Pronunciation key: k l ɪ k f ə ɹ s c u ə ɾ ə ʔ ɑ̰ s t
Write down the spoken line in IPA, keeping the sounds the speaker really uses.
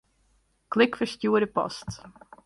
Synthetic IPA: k l ɪ k f ə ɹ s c u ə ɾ ə p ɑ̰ s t